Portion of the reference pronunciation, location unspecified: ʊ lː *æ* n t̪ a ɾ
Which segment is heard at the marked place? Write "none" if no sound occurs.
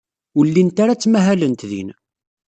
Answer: i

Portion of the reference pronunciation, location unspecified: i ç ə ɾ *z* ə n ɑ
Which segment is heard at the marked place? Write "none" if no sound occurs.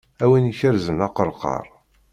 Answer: z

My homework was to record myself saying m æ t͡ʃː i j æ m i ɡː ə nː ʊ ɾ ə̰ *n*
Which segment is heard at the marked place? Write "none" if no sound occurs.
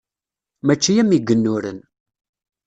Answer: n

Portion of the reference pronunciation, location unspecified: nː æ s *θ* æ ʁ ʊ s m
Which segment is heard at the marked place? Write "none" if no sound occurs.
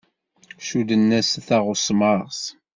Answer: θ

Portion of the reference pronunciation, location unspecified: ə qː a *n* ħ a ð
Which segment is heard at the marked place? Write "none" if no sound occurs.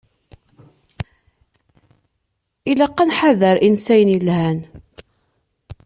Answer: n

